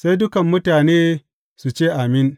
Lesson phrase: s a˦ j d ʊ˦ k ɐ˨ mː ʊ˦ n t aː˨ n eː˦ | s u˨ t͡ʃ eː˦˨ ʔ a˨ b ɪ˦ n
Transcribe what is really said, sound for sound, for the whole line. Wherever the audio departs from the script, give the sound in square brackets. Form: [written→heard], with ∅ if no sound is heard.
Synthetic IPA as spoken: s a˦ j d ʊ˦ k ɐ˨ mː ʊ˦ [n→∅] t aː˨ n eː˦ | s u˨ t͡ʃ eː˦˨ ʔ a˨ [b→m] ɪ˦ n